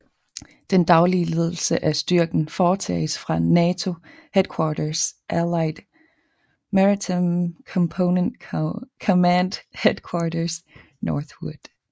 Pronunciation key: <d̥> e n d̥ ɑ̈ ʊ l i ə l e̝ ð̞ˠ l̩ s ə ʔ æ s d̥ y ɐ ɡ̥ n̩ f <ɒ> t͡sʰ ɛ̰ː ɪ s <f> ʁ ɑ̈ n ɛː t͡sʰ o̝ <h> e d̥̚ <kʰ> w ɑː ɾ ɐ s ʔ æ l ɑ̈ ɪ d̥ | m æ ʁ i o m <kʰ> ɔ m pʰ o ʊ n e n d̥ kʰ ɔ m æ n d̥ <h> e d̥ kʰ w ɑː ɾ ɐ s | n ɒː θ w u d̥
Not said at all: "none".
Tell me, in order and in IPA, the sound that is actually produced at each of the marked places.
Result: d̥, ɒː, f, h, kʰ, kʰ, h

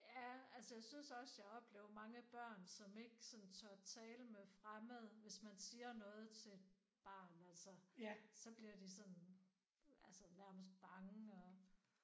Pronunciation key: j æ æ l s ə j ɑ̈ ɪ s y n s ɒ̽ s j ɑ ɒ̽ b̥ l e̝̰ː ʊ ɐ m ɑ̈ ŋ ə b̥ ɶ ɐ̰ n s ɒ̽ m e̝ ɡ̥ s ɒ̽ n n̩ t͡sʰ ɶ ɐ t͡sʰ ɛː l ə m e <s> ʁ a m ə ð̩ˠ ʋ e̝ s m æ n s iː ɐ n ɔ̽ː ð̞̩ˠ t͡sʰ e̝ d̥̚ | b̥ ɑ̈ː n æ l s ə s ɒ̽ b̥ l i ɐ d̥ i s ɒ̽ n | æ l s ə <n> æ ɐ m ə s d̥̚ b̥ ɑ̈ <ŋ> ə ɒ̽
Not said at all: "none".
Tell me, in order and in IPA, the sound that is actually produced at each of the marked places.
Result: f, n, ŋ

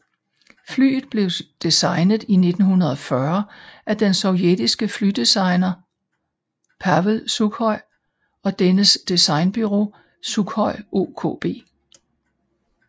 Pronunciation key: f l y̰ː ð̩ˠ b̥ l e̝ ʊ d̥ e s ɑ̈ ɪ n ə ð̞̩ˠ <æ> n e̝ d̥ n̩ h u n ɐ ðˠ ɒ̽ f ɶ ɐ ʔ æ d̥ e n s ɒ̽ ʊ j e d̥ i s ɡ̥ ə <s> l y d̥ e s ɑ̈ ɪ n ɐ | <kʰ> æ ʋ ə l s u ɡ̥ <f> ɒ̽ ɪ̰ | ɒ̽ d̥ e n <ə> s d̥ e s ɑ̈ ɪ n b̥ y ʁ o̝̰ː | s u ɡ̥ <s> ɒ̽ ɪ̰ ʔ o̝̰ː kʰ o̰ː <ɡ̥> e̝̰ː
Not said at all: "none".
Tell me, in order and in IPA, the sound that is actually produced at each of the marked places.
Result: i, f, pʰ, h, ə, h, b̥

